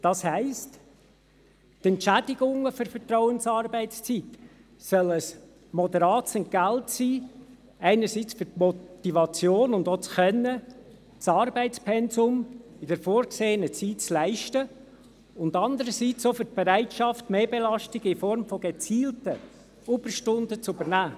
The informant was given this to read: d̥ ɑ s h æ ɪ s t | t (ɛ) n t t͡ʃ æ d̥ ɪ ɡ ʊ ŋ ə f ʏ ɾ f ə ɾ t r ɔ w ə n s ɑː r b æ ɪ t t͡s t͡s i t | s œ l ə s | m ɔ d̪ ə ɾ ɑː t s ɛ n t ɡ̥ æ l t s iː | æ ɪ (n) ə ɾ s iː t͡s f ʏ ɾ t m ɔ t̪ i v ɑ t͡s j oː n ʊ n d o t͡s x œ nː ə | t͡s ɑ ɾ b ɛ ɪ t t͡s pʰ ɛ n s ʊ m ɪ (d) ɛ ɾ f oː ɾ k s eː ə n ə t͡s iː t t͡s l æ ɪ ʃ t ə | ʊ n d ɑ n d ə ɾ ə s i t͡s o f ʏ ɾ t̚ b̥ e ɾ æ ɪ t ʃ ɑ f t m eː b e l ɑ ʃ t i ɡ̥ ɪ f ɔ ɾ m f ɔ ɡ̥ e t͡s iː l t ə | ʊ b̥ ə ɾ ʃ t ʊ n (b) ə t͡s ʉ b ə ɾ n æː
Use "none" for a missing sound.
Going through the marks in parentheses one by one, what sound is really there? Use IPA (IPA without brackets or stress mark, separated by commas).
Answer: ɛ, n, d, d